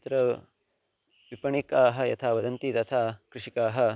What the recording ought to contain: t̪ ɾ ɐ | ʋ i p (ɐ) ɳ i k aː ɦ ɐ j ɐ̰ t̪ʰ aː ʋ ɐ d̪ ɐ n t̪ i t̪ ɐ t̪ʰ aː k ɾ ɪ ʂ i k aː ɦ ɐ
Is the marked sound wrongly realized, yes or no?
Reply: no